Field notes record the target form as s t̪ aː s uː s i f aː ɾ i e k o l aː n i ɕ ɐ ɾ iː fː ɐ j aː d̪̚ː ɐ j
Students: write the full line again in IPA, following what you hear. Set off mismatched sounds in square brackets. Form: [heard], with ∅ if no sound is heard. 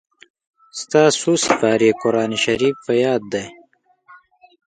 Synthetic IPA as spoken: s t̪ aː s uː s i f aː ɾ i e k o [ɾ] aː n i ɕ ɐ ɾ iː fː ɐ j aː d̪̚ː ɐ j